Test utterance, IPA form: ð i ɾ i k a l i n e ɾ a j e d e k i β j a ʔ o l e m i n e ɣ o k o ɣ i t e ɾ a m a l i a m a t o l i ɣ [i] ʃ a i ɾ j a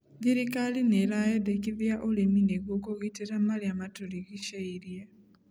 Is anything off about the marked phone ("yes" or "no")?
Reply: no